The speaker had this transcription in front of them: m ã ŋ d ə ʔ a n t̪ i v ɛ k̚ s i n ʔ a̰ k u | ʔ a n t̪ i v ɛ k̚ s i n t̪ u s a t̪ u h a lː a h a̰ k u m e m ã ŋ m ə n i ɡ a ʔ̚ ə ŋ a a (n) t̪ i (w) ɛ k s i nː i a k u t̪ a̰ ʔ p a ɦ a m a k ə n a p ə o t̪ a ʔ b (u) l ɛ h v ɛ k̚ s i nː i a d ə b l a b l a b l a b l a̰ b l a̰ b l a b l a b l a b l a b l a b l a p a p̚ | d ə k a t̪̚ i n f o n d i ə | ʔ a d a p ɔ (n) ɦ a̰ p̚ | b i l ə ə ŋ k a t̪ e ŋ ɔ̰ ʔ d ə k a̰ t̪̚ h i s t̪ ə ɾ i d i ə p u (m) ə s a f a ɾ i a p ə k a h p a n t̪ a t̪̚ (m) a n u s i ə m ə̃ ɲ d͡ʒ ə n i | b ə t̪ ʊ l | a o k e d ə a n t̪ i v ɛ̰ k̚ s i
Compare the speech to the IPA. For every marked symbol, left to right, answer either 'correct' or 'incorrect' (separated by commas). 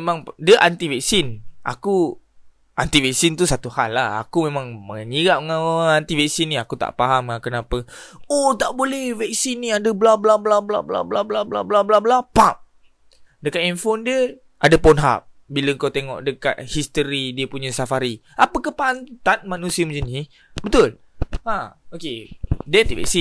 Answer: correct, incorrect, incorrect, correct, incorrect, correct